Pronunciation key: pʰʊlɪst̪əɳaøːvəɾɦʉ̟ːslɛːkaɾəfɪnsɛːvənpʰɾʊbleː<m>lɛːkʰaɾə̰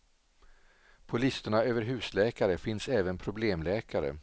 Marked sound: correct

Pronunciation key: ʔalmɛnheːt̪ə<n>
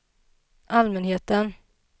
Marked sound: correct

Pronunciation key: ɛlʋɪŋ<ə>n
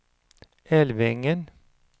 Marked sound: correct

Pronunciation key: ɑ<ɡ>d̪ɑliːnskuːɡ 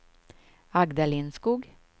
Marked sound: correct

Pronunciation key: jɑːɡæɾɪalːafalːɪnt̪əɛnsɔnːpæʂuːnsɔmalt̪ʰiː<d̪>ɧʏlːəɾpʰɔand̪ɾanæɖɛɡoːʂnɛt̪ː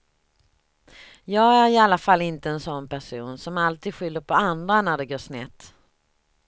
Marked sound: correct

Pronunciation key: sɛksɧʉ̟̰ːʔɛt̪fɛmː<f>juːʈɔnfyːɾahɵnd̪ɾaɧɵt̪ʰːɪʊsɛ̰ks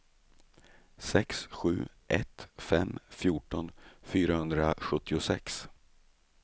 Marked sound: correct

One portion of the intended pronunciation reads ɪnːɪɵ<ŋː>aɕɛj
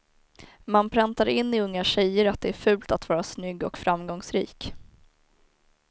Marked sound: correct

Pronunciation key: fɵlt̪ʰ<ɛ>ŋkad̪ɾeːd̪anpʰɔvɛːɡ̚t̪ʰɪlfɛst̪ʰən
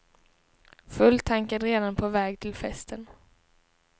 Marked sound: incorrect: a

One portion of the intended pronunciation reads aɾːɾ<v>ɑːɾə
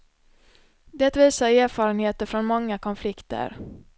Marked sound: incorrect: f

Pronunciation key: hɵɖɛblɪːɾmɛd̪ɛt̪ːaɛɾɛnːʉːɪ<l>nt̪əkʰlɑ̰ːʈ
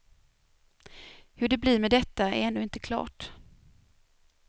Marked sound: incorrect: none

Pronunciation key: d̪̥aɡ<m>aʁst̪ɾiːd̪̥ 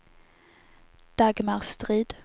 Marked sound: correct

